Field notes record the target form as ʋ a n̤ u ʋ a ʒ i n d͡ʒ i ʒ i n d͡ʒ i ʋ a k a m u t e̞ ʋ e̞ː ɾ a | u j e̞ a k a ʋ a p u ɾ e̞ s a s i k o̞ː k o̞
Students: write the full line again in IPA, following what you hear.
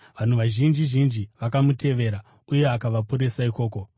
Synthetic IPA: ʋ a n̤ u ʋ a ʒ i n d͡ʒ i ʒ i n d͡ʒ i ʋ a k a m u t e̞ ʋ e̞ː ɾ a | u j e̞ a k a ʋ a p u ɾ e̞ s a i k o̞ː k o̞